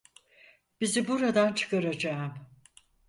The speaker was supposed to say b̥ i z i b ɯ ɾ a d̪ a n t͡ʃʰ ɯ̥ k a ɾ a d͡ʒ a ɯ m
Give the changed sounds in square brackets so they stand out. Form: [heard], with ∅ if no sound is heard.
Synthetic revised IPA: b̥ i z i b [u] ɾ a d̪ a n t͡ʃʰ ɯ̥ k a ɾ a d͡ʒ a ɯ m